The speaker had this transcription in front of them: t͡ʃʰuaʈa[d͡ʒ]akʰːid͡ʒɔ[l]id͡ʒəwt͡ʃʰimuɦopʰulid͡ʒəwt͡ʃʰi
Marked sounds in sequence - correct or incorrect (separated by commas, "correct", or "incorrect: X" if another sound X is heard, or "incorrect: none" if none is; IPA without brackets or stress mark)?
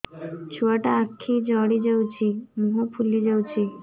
incorrect: none, incorrect: ɽ